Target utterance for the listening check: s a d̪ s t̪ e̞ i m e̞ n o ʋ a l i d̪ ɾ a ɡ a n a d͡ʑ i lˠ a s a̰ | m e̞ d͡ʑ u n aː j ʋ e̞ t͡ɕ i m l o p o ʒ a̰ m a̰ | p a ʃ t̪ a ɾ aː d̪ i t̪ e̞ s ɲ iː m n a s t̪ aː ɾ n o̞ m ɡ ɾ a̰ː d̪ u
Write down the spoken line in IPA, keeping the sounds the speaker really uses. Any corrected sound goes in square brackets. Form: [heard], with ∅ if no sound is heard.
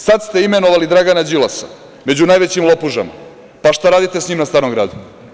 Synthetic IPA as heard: s a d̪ s t̪ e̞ i m e̞ n o ʋ a l i d̪ ɾ a ɡ a n a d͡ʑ i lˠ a s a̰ | m e̞ d͡ʑ u n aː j ʋ e̞ t͡ɕ i m l o p [u] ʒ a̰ m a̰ | p a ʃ t̪ a ɾ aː d̪ i t̪ e̞ s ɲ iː m n a s t̪ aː ɾ n o̞ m ɡ ɾ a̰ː d̪ u